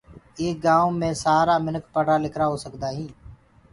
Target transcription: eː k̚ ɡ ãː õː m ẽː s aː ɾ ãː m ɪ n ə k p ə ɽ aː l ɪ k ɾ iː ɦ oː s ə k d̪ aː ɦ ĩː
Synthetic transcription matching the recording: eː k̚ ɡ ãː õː m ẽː s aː ɾ aː m ɪ n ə k p ə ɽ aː l ɪ k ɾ aː ɦ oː s ə k d̪ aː ɦ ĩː